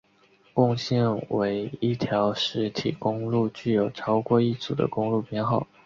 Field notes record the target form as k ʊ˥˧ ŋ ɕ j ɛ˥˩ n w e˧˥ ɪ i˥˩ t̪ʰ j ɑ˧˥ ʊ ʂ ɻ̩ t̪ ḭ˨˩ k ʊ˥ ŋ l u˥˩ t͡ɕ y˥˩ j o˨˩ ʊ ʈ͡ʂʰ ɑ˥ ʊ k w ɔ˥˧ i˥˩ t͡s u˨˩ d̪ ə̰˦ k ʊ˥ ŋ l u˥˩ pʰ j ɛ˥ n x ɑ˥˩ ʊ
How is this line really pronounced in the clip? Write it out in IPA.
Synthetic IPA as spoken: k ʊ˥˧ ŋ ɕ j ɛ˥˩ n w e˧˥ ɪ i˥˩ t̪ʰ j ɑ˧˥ ʊ ʂ ɻ̩ t̪ʰ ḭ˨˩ k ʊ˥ ŋ l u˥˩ t͡ɕ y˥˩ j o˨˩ ʊ ʈ͡ʂʰ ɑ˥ ʊ k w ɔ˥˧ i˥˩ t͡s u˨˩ d̪ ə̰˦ k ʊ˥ ŋ l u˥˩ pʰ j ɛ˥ n x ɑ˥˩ ʊ

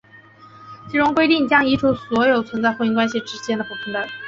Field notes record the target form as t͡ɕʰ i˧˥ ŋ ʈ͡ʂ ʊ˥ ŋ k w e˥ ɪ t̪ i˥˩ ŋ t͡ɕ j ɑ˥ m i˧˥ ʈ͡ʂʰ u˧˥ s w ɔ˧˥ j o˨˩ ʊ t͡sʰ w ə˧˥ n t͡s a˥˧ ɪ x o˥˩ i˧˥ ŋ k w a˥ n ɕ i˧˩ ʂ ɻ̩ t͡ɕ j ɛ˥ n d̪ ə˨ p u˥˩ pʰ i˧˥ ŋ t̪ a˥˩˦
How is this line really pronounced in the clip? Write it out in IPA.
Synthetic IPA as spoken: t͡ɕʰ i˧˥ ʈ͡ʂ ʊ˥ ŋ k w e˥ ɪ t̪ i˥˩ ŋ t͡ɕ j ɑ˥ ŋ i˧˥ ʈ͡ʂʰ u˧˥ s w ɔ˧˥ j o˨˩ ʊ t͡sʰ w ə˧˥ n t͡s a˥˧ ɪ x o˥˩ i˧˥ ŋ k w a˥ n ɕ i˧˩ ʈ͡ʂ ɻ̩ t͡ɕ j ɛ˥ n d̪ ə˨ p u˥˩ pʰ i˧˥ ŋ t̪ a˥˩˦

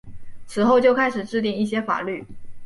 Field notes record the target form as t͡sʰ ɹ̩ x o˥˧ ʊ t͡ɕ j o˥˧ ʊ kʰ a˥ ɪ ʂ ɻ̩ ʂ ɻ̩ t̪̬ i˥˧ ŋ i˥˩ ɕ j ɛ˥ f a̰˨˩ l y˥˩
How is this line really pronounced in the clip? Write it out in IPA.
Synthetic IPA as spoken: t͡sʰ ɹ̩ x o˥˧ ʊ t͡ɕ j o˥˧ ʊ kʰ a˥ ɪ ʂ ɻ̩ ʈ͡ʂ ɻ̩ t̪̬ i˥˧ ŋ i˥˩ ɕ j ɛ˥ f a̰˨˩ l y˥˩

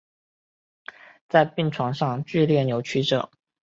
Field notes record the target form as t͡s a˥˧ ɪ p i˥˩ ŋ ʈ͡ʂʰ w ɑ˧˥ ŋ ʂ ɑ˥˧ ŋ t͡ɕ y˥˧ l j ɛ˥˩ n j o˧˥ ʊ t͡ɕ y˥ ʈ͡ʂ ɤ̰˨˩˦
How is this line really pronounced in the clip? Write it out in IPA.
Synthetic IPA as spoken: t͡s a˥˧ ɪ p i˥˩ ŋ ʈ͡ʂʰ w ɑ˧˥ ŋ ʂ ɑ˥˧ ŋ t͡ɕ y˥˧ l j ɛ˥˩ n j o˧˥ ʊ t͡ɕʰ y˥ ʈ͡ʂ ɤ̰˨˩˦

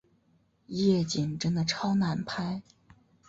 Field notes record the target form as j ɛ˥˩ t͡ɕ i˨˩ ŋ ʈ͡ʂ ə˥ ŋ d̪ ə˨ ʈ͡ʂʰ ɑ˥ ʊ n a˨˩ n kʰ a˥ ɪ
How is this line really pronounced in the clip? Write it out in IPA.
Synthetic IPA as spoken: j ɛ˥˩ t͡ɕ i˨˩ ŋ ʈ͡ʂ ə˥ n d̪ ə˨ ʈ͡ʂʰ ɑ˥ ʊ n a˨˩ n pʰ a˥ ɪ

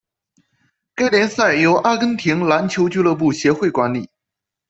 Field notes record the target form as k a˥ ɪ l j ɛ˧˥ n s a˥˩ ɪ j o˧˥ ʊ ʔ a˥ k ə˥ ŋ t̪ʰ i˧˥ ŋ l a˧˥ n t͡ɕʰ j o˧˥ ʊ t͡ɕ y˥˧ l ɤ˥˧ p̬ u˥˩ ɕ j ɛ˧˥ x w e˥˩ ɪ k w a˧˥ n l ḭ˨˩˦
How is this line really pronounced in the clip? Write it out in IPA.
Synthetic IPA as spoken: k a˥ ɪ l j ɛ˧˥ n s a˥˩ ɪ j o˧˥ ʊ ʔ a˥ k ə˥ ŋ t̪ʰ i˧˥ ŋ l a˧˥ n t͡ɕʰ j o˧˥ ʊ t͡ɕ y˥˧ l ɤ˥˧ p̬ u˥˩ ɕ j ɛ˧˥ x w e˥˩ ɪ k w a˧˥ n l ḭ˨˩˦

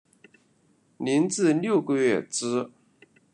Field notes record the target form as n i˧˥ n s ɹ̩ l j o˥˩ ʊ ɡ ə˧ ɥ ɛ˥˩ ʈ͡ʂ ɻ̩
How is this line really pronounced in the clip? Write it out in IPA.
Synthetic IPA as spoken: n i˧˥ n t͡s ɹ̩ l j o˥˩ ʊ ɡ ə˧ ɥ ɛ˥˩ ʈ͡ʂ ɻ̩

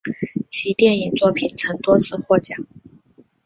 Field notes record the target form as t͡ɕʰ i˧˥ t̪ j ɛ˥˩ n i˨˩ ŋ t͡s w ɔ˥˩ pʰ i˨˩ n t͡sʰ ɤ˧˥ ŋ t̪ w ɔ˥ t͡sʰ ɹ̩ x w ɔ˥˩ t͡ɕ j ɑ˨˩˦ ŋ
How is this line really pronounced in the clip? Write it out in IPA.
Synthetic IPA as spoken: t͡ɕʰ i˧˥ t̪ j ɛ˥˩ n i˨˩ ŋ t͡s w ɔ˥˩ pʰ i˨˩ n t͡sʰ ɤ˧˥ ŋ t̪ w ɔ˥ t͡sʰ ɹ̩ x w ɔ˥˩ t͡ɕ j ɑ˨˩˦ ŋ

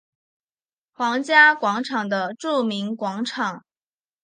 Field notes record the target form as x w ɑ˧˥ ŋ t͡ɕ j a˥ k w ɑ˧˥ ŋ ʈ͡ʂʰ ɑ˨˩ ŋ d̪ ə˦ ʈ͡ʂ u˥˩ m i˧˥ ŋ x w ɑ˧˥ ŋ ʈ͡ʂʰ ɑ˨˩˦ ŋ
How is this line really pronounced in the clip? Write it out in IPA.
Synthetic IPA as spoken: x w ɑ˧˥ ŋ t͡ɕ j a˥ k w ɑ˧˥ ŋ ʈ͡ʂʰ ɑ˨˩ ŋ d̪ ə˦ ʈ͡ʂ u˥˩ m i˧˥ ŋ k w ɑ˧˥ ŋ ʈ͡ʂʰ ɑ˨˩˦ ŋ

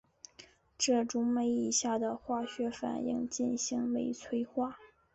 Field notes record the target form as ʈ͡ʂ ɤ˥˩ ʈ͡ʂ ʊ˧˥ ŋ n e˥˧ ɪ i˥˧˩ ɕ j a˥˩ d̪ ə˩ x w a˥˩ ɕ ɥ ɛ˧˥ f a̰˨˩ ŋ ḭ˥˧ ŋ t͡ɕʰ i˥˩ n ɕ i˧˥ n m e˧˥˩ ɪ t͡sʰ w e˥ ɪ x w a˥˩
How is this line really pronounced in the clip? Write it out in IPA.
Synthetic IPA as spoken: ʈ͡ʂ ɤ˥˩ ʈ͡ʂ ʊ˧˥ ŋ m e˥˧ ɪ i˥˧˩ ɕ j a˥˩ d̪ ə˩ x w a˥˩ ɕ ɥ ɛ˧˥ f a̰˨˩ n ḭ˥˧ ŋ t͡ɕ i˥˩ n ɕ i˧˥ ŋ m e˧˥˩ ɪ t͡sʰ w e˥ ɪ x w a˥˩

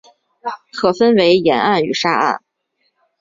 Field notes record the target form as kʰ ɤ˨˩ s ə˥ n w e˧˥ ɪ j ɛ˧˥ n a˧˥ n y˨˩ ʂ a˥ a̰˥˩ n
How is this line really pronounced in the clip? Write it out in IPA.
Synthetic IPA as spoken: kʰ ɤ˨˩ f ə˥ n w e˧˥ ɪ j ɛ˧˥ n a˥˩ n y˨˩ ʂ a˥ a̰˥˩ n

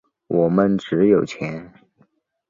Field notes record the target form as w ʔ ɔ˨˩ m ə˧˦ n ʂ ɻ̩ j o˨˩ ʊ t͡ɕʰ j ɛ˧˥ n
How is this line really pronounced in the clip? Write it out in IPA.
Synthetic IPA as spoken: w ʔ ɔ˨˩ m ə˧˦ n ʈ͡ʂ ɻ̩ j o˨˩ ʊ t͡ɕʰ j ɛ˧˥ n

